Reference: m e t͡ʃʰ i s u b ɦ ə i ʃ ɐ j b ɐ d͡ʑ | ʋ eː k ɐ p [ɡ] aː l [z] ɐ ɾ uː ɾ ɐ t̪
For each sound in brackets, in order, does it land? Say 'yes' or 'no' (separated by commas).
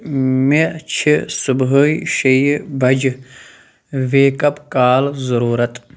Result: no, yes